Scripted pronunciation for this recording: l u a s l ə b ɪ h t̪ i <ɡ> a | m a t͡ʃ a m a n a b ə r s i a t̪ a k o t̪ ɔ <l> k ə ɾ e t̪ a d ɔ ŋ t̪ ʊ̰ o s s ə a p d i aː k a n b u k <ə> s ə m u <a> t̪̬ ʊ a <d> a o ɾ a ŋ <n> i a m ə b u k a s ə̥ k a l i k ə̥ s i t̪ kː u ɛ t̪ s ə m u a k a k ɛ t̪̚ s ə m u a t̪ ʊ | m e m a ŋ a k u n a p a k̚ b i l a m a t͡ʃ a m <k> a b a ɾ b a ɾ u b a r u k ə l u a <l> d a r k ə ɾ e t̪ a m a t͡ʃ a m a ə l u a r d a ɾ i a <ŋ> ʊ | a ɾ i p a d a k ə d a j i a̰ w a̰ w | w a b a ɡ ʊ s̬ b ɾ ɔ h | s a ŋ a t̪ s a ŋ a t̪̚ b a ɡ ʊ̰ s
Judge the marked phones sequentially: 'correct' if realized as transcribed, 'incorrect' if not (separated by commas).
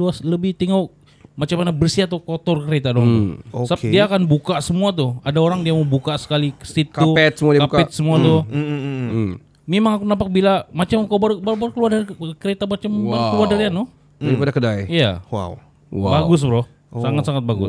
incorrect, incorrect, incorrect, correct, correct, incorrect, correct, incorrect, incorrect